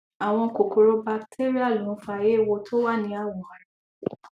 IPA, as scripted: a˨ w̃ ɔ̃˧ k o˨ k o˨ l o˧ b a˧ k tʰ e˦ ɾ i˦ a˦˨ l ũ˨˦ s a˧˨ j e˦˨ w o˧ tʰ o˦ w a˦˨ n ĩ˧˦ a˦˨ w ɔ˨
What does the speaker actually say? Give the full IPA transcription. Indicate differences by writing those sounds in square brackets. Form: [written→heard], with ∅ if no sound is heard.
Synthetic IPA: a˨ w̃ ɔ̃˧ k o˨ k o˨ [l→ɾ] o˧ b a˧ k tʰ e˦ ɾ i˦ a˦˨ l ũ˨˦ [s→f] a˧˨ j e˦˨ w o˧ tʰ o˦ w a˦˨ n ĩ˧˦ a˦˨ w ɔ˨